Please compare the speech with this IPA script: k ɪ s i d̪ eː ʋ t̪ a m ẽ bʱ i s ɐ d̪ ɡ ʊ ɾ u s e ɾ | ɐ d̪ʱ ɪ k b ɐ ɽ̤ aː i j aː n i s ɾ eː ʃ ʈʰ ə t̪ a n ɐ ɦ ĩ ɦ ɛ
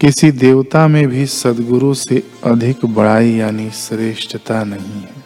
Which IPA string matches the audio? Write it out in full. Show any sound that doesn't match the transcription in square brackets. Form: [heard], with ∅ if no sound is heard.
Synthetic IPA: k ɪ s i d̪ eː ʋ t̪ a m ẽ bʱ i s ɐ d̪ ɡ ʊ ɾ u s e [∅] | ɐ d̪ʱ ɪ k b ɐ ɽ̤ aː i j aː n i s ɾ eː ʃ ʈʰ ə t̪ a n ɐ ɦ ĩ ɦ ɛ